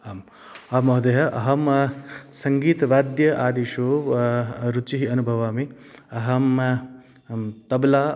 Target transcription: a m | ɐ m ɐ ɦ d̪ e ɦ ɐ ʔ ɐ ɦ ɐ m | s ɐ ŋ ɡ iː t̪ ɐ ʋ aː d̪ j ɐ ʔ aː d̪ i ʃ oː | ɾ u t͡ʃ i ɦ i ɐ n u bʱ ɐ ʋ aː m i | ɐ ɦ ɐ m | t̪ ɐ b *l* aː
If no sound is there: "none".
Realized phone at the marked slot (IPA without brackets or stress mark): l